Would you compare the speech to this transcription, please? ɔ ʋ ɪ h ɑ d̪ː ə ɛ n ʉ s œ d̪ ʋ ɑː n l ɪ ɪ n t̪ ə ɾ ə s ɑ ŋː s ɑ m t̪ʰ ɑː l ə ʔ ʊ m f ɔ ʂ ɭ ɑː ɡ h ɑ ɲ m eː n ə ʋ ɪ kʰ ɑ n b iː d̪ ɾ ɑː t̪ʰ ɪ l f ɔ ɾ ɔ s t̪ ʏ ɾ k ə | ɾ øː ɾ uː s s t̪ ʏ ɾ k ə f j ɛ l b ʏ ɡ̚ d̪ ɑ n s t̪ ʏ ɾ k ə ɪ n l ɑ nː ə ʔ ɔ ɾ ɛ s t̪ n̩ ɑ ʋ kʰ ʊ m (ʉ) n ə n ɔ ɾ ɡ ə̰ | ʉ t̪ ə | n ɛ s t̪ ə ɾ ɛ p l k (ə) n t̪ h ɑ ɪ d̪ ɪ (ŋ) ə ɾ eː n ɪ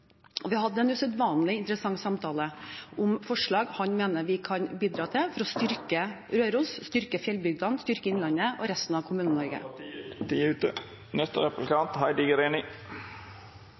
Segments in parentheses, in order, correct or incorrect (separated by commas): incorrect, incorrect, incorrect